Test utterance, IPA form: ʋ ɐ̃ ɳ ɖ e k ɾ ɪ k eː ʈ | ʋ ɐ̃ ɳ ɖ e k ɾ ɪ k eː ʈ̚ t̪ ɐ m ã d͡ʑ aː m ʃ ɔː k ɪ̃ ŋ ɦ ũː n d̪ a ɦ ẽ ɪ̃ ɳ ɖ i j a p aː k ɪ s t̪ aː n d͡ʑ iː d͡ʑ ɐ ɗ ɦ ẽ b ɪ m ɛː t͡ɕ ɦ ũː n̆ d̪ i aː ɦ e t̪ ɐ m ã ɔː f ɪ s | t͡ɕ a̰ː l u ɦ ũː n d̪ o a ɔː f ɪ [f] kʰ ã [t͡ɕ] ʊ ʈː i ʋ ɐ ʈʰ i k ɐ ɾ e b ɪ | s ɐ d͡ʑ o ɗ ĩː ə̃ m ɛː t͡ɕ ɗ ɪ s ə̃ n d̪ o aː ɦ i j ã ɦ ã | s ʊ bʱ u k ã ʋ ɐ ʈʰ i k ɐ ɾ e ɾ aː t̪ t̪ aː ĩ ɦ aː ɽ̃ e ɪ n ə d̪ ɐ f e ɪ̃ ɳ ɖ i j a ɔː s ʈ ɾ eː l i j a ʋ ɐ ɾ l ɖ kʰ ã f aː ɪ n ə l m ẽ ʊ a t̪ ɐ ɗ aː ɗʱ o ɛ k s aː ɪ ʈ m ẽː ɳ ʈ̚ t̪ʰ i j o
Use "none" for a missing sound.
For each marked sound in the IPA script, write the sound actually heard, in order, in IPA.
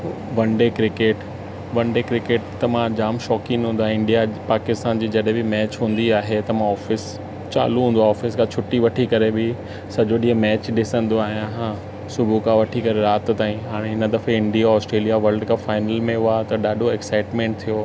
s, t͡ɕʰ

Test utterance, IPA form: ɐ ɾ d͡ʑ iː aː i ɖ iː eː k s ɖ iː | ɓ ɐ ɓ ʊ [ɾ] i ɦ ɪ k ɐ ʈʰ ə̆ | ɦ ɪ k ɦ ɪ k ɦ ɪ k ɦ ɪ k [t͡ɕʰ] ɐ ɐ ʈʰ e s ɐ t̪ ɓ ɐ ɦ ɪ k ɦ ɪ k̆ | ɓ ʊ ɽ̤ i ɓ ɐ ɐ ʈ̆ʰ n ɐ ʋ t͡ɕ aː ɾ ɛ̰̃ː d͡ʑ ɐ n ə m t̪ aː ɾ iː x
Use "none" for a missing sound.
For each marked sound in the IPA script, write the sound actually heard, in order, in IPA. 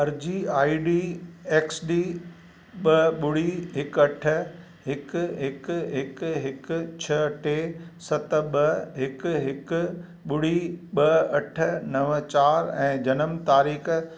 ɽ, t͡ɕʰ

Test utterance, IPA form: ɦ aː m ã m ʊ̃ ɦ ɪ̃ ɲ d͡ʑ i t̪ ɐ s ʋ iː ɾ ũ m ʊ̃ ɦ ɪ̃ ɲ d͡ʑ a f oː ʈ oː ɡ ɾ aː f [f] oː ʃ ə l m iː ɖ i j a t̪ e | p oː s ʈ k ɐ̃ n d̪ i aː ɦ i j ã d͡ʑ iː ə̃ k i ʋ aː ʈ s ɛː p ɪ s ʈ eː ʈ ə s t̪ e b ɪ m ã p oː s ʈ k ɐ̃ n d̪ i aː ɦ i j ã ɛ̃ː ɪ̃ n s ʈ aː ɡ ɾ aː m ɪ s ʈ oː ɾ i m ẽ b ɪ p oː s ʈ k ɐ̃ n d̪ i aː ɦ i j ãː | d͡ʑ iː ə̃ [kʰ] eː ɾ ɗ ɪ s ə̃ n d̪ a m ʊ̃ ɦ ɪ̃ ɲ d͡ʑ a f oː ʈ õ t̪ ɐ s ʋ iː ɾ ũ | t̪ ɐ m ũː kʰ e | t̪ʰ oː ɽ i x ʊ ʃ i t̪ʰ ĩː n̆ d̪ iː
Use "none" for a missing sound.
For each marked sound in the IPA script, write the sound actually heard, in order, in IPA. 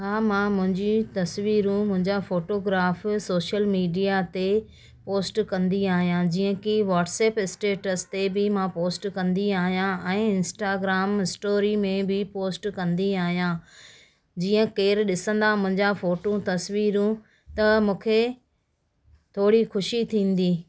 s, k

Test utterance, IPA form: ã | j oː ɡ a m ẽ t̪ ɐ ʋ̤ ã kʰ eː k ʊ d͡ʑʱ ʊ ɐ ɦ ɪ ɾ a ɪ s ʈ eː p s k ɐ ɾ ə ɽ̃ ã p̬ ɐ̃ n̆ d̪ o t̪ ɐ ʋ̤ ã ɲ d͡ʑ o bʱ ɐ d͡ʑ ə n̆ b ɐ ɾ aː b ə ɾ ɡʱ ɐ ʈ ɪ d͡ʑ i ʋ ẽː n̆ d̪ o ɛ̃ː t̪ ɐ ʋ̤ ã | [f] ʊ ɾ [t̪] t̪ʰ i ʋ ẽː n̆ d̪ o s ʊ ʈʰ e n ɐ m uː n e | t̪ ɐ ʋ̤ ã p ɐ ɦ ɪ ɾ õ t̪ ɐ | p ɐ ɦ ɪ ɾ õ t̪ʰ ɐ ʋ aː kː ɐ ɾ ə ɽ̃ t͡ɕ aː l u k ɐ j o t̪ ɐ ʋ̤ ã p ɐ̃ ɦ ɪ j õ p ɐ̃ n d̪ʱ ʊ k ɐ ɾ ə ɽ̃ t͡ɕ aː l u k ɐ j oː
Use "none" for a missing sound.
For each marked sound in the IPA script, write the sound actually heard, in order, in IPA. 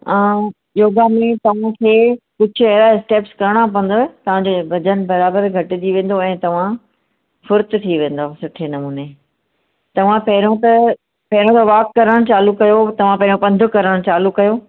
f, t̪

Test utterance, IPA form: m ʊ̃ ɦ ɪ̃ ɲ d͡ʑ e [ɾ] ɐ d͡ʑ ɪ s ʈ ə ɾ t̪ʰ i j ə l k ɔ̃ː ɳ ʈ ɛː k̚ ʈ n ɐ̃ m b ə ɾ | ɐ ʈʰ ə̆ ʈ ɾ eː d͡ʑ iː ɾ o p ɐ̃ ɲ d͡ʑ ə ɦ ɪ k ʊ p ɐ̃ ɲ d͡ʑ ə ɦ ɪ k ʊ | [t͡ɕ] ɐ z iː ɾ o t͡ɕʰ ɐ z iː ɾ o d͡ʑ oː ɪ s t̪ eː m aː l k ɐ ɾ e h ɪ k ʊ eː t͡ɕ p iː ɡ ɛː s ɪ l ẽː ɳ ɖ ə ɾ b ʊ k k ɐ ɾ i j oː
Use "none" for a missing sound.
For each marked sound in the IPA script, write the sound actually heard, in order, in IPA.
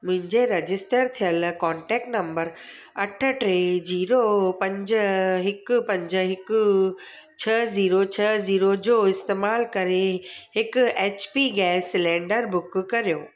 ɾ, t͡ɕʰ

